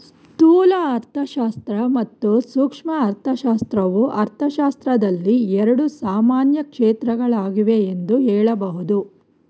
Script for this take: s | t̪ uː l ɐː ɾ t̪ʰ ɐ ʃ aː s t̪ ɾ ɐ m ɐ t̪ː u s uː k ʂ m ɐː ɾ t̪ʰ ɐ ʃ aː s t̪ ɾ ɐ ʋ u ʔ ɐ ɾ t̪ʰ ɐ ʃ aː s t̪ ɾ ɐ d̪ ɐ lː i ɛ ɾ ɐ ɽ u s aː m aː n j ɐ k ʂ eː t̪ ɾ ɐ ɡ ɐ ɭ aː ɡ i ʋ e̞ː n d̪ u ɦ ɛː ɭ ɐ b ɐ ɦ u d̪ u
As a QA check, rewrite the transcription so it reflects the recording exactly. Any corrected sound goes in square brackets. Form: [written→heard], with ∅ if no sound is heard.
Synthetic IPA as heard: s | t̪ uː l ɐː ɾ t̪ʰ ɐ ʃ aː s t̪ ɾ ɐ m ɐ t̪ː u s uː k ʂ m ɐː ɾ t̪ʰ ɐ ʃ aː s t̪ ɾ ɐ ʋ u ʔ ɐ ɾ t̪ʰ ɐ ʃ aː s t̪ ɾ ɐ d̪ ɐ lː i ɛ ɾ ɐ ɽ u s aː m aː n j ɐ k ʂ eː t̪ ɾ ɐ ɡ ɐ ɭ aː ɡ i ʋ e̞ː n d̪ u ɦ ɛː ɭ ɐ b ɐ ɦ u d̪ u

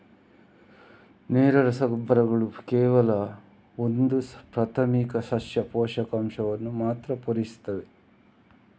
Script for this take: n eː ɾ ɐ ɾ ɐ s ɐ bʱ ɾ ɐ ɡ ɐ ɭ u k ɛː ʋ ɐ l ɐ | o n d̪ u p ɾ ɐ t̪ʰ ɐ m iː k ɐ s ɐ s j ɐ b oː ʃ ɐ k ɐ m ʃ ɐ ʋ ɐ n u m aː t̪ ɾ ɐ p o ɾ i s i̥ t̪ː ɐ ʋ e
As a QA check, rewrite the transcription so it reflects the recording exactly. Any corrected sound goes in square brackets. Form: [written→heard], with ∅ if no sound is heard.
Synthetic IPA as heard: n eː ɾ ɐ ɾ ɐ s ɐ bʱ ɾ ɐ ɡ ɐ ɭ u k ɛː ʋ ɐ l ɐ | o n d̪ u p ɾ ɐ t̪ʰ ɐ m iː k ɐ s ɐ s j ɐ [b→p] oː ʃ ɐ k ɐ m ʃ ɐ ʋ ɐ [n→nː] u m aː t̪ ɾ ɐ p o ɾ i s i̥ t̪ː ɐ ʋ e

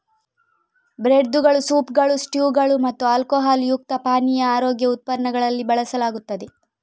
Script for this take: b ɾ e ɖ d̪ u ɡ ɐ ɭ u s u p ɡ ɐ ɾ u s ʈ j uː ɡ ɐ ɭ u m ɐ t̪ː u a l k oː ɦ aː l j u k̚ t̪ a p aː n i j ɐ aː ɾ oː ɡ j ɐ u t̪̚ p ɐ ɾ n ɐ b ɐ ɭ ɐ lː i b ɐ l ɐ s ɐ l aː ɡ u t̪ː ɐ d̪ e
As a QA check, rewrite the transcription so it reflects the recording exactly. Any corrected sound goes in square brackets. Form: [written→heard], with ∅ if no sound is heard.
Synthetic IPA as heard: b ɾ e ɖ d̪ u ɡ ɐ ɭ u s [u→uː] p ɡ ɐ [ɾ→ɭ] u s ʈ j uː ɡ ɐ ɭ u m ɐ t̪ː u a l k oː ɦ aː l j u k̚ t̪ [a→ɐ] p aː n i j ɐ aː ɾ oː ɡ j ɐ u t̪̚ p ɐ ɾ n ɐ [b→ɡ] ɐ ɭ ɐ lː i b ɐ [l→ɭ] ɐ s ɐ l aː ɡ u t̪ː ɐ d̪ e

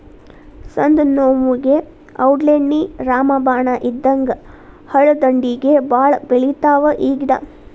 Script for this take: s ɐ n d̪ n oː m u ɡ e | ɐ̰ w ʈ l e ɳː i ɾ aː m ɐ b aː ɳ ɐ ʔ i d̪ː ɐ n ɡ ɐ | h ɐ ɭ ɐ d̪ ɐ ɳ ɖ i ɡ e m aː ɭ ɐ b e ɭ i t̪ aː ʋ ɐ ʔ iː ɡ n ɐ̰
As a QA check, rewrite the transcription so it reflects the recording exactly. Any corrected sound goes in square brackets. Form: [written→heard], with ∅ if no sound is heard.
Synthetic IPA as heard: s ɐ n d̪ n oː m u ɡ e | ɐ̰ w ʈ l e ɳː i ɾ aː m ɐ b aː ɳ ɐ ʔ i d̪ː ɐ [n→ŋ] ɡ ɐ | h ɐ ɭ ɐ d̪ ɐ ɳ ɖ i ɡ e [m→b] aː ɭ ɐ b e ɭ i t̪ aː ʋ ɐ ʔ iː ɡ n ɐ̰

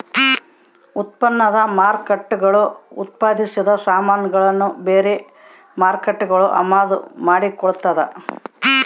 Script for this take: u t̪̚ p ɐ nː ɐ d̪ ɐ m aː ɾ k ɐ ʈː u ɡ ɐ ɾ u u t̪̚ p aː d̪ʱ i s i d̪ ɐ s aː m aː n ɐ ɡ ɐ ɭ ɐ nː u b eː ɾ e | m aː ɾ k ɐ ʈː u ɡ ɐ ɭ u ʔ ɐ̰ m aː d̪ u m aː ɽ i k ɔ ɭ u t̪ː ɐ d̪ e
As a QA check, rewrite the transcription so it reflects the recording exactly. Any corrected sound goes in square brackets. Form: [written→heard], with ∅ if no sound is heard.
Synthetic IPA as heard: u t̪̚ p ɐ nː ɐ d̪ ɐ m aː ɾ k ɐ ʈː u ɡ ɐ [ɾ→ɭ] u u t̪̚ p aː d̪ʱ i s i d̪ ɐ s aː m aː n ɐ ɡ ɐ ɭ ɐ nː u b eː ɾ e | m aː ɾ k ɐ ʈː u ɡ ɐ ɭ u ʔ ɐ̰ m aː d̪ u m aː ɽ i k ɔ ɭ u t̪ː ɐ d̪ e

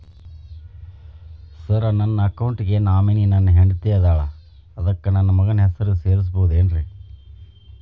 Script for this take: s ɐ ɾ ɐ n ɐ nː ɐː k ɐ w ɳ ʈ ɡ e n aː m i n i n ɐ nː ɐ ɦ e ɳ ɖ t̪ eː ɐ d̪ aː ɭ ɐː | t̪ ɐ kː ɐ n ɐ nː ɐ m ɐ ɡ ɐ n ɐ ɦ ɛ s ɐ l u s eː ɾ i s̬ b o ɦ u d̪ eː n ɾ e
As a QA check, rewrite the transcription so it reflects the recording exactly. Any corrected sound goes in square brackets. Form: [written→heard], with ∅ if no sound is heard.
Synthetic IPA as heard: s ɐ ɾ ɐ n ɐ nː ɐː k ɐ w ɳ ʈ ɡ e n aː m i n i n ɐ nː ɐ ɦ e ɳ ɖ t̪ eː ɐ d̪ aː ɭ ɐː | [t̪→d̪] ɐ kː ɐ n ɐ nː ɐ m ɐ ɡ ɐ n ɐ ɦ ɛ s ɐ [l→ɾ] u s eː ɾ i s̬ b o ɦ u d̪ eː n ɾ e

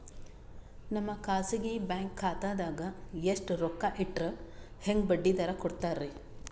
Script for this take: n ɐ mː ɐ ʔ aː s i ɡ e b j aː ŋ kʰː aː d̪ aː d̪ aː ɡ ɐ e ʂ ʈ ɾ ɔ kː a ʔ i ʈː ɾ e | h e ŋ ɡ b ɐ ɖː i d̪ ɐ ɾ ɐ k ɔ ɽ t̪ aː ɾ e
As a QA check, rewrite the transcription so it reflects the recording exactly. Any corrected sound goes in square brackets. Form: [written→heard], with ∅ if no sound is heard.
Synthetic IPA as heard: n ɐ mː ɐ [ʔ→k] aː s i ɡ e b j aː ŋ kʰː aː [d̪→t̪] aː d̪ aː ɡ ɐ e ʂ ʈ ɾ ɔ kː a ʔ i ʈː ɾ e | h e ŋ ɡ b ɐ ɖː i d̪ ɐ ɾ ɐ k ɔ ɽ t̪ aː ɾ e

